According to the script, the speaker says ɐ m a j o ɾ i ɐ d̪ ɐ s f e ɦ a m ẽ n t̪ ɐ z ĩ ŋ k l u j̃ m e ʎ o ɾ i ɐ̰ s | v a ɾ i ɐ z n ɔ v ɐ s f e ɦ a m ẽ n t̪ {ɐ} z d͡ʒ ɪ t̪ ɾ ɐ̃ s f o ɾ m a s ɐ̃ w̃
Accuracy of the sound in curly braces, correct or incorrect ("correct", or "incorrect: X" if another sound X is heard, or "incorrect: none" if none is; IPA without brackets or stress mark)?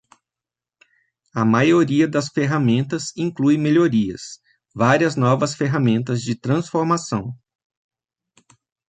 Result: correct